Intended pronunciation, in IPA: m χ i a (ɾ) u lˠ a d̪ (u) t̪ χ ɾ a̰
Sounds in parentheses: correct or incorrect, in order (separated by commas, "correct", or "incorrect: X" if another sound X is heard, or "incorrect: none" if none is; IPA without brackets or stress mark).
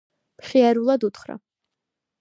correct, correct